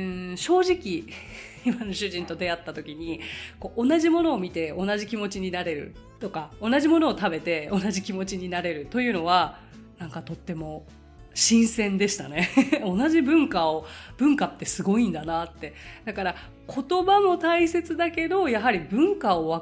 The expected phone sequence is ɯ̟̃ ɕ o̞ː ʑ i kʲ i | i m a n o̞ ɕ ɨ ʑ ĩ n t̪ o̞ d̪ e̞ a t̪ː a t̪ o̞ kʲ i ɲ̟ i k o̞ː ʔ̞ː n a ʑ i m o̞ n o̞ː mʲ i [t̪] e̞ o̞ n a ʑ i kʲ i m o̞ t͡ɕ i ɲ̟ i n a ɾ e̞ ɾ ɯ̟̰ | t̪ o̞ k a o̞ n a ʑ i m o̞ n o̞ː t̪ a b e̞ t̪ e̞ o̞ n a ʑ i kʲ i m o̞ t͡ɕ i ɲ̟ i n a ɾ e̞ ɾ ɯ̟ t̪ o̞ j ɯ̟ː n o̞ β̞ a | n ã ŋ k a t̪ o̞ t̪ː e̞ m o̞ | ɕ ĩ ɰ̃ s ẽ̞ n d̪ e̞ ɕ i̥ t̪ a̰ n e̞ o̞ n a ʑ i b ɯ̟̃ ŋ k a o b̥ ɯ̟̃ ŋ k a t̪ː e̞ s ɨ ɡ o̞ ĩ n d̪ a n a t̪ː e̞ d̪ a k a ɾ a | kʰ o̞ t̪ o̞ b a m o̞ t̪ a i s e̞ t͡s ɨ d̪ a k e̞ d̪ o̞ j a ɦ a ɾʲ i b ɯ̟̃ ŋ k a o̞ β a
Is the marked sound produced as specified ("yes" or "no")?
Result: yes